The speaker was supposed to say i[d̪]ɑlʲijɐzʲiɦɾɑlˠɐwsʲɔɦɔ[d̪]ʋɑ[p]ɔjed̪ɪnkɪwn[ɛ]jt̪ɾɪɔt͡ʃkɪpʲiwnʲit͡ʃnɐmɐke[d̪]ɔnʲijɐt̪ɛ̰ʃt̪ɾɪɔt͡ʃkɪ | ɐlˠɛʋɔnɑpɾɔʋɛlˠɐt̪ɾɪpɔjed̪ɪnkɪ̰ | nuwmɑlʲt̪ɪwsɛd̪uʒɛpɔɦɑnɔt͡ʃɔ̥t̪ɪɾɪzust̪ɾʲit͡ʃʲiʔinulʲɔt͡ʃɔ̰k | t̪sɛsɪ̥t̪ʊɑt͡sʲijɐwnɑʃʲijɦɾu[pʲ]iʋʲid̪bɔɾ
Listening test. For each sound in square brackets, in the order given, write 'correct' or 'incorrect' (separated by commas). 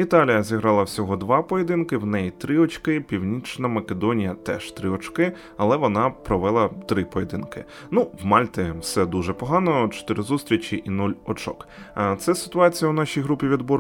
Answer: incorrect, correct, correct, correct, correct, correct